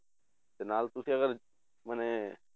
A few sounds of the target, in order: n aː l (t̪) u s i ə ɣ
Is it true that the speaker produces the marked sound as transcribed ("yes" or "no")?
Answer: yes